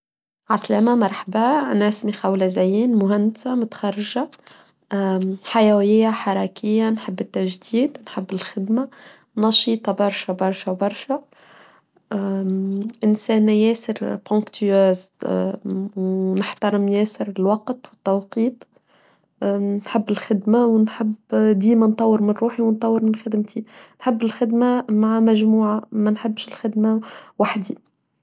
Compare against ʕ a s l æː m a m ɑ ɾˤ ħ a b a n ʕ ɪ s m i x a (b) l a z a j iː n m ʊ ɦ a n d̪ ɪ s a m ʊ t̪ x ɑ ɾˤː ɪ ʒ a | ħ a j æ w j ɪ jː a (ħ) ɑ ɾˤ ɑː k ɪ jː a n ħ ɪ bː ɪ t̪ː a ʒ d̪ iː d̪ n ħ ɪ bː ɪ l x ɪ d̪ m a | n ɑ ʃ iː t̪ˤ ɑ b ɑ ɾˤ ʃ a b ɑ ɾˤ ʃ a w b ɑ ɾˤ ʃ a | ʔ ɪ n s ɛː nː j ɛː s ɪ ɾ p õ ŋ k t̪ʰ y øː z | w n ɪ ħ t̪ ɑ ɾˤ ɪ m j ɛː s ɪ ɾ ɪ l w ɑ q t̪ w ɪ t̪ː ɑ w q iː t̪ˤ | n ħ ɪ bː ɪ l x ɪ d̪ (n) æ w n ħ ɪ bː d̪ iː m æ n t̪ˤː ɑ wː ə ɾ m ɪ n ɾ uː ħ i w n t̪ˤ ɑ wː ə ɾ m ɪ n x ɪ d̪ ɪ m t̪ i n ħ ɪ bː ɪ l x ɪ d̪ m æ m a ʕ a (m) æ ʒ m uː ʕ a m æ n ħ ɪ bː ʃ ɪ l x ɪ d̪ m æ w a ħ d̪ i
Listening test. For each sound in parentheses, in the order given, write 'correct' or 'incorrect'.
incorrect: w, correct, incorrect: m, correct

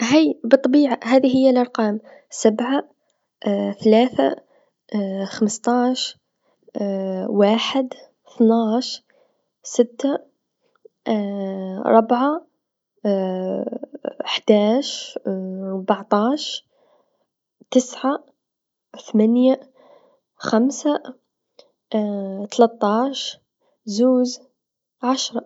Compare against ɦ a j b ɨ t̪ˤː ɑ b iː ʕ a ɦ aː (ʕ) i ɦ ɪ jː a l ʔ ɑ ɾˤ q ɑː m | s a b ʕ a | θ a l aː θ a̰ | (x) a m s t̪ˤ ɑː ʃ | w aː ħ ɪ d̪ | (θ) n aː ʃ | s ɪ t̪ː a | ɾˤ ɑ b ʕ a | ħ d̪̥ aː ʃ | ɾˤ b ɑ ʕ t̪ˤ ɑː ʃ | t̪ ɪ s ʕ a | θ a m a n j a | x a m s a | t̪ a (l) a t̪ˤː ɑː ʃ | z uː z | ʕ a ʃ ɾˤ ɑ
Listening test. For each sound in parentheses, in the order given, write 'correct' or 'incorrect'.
incorrect: ð, correct, correct, correct

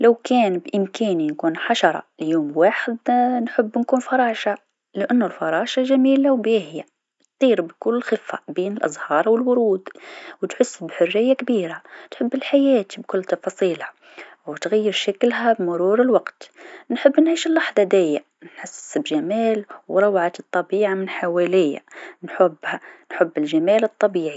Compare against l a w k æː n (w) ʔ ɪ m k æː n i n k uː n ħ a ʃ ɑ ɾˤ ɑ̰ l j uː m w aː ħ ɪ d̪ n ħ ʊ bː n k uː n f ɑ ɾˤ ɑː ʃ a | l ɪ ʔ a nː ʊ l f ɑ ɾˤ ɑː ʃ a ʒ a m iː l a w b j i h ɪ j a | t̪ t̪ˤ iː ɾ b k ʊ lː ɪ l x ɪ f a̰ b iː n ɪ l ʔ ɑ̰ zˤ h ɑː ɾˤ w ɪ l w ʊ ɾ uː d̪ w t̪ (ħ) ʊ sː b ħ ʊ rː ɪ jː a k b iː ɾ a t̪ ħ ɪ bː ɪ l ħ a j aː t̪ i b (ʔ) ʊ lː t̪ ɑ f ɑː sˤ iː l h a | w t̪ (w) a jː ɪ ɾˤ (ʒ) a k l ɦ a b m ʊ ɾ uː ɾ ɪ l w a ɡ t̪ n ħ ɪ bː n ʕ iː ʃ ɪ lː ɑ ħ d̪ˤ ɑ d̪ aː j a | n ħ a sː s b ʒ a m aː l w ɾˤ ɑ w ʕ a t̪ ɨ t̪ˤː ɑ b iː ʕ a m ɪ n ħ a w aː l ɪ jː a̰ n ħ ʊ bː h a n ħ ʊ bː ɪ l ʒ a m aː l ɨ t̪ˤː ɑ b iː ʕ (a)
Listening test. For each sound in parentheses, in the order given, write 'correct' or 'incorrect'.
incorrect: b, correct, incorrect: k, incorrect: ɣ, incorrect: ʃ, incorrect: i

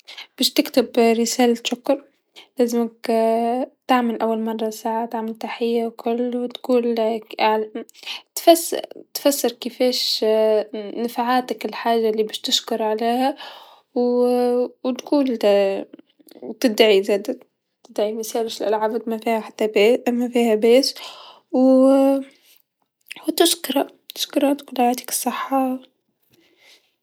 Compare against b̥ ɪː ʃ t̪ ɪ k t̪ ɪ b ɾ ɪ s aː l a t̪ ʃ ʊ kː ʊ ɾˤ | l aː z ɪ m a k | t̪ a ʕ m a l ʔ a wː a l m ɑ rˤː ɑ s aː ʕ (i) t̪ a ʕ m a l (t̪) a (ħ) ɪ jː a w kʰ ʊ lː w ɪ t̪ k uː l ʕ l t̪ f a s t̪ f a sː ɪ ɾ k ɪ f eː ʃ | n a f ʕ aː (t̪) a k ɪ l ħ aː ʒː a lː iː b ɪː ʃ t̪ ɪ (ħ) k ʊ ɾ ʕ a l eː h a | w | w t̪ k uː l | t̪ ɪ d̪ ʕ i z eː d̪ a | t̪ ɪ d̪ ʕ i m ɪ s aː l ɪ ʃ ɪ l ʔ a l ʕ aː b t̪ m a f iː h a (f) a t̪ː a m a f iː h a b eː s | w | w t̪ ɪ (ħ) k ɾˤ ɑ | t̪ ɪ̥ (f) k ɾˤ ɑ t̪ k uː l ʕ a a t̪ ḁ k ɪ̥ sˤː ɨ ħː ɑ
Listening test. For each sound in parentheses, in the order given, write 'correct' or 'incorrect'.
incorrect: a, correct, correct, correct, incorrect: ʃ, incorrect: ħ, incorrect: ʃ, incorrect: ʃ

